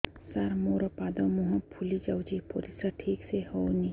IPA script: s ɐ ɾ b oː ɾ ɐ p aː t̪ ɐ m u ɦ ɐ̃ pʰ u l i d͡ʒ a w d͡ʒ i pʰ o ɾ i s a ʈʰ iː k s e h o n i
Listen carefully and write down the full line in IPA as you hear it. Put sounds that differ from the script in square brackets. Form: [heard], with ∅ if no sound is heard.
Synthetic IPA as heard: s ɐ ɾ [m] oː ɾ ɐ p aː [d̪] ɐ m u ɦ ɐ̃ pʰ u l i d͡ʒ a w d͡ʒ i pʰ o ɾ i s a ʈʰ iː k s e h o n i